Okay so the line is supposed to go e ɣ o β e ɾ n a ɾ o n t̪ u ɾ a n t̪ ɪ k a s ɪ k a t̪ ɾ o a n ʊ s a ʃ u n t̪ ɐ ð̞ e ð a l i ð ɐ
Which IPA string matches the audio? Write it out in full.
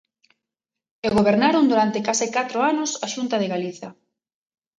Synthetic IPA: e ɣ o β e ɾ n a ɾ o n d̪ u ɾ a n t̪ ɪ k a s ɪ k a t̪ ɾ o a n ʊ s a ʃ u n t̪ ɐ ð̞ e ɣ a l i θ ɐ